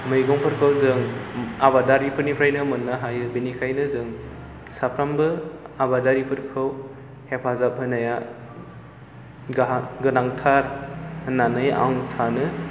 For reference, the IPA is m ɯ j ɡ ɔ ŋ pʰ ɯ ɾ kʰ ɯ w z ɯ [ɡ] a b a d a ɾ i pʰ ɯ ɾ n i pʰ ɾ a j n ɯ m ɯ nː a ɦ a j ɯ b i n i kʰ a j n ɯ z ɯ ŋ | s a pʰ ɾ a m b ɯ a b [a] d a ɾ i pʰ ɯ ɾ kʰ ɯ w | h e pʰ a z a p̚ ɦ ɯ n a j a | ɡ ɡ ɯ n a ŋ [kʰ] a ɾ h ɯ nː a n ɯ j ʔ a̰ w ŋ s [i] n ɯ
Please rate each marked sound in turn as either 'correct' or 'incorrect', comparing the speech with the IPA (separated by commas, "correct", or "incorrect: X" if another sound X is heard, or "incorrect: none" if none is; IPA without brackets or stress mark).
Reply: incorrect: ŋ, correct, incorrect: tʰ, incorrect: a